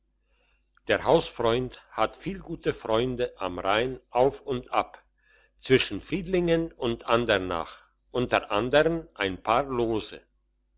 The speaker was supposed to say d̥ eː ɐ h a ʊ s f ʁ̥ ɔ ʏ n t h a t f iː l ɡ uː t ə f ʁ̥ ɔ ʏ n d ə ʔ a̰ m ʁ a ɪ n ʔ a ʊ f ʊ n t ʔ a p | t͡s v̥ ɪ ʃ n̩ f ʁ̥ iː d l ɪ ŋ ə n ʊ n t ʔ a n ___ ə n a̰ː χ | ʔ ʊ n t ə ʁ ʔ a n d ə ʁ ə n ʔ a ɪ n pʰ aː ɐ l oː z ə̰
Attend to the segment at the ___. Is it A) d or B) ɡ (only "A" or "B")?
A